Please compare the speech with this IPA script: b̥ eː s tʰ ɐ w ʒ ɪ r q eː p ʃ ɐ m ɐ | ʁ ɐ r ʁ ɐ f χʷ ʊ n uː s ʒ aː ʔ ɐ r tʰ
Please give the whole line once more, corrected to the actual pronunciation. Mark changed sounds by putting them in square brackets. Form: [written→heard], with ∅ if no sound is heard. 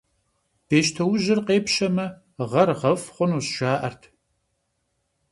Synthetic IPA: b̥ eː [s→ʃ] tʰ ɐ w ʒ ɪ r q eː p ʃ ɐ m ɐ | ʁ ɐ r ʁ ɐ f χʷ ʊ n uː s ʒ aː ʔ ɐ r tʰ